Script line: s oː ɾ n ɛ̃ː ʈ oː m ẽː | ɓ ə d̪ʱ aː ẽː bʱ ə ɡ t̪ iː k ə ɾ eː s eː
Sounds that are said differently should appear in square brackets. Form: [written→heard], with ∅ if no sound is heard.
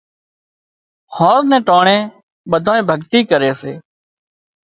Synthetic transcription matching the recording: [s→h] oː ɾ n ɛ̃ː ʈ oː [m→ɳ] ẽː | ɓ ə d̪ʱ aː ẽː bʱ ə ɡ t̪ iː k ə ɾ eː s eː